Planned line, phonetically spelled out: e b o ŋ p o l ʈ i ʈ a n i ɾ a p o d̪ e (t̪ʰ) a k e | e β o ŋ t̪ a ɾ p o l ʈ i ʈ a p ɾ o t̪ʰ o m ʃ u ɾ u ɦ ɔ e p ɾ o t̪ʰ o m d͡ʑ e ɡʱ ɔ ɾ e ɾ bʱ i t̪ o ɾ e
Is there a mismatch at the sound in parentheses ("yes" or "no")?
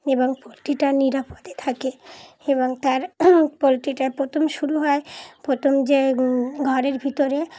no